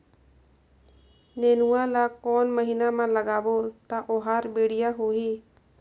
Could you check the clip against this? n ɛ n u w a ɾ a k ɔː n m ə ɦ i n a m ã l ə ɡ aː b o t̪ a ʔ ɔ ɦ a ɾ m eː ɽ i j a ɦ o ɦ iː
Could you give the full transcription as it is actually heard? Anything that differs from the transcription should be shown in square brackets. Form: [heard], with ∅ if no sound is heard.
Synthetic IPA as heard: n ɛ n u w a [l] a k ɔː n m ə ɦ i n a m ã l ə ɡ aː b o t̪ a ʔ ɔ ɦ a ɾ [b] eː ɽ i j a ɦ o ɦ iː